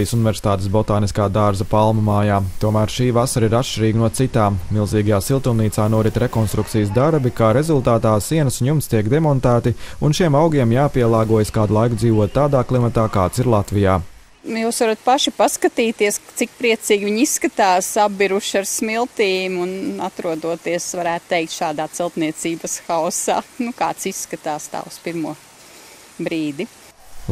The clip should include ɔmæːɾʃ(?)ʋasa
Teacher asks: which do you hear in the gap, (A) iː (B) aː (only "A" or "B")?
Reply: A